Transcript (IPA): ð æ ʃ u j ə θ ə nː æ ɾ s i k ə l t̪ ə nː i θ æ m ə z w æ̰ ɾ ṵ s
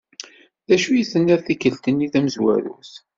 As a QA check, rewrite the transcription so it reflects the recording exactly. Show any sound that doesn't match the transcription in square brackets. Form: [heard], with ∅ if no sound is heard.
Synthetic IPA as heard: ð æ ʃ u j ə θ ə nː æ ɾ [θ] i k ə l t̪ ə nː i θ æ m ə z w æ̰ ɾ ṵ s